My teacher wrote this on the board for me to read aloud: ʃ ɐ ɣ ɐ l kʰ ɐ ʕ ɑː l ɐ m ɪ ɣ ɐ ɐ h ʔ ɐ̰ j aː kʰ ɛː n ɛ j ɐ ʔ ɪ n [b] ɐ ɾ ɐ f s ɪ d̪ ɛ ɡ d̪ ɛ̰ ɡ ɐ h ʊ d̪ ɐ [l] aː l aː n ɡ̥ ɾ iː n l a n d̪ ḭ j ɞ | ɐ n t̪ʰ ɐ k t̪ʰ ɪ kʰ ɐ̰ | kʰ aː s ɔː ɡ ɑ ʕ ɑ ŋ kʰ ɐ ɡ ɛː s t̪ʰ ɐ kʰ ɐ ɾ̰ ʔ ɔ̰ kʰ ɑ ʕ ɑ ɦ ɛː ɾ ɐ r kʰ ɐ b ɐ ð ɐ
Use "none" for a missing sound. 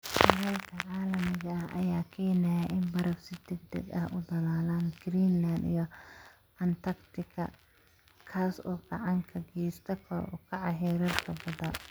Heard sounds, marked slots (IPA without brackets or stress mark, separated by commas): b, l